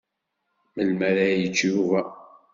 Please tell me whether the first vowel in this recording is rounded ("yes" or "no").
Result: no